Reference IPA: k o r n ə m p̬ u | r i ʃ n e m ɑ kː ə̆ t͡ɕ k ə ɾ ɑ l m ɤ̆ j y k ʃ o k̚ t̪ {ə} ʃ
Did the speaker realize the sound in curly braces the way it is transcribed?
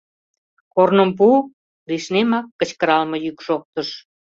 yes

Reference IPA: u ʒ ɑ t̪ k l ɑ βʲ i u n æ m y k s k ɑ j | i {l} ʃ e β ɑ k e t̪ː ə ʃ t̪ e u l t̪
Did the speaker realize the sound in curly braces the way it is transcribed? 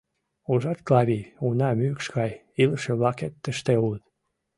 yes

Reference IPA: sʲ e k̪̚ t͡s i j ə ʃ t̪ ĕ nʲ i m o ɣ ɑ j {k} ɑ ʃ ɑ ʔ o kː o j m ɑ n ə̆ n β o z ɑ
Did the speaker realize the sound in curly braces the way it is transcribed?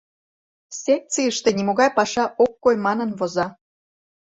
no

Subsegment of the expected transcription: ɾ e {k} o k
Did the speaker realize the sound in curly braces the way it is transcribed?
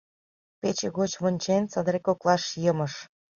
yes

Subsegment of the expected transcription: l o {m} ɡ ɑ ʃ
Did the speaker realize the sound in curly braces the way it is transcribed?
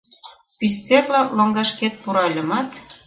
no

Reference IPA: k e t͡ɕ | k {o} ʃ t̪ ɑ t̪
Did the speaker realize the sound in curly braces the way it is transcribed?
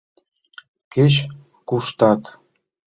no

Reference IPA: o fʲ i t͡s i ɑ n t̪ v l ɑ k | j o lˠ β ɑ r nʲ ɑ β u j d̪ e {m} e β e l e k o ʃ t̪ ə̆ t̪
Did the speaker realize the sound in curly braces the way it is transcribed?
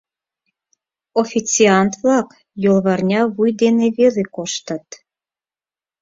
no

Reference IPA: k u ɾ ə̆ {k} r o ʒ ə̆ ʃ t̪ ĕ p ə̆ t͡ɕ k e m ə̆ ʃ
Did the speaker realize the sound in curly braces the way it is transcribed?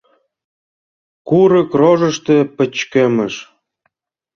yes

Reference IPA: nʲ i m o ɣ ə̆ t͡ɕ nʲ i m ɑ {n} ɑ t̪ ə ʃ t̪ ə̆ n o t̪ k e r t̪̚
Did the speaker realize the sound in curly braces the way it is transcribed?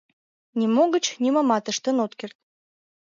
no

